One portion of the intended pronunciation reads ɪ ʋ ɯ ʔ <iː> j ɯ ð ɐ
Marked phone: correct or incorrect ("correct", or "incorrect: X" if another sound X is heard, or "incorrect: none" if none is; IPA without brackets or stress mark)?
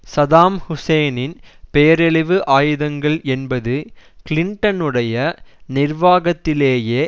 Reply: incorrect: aː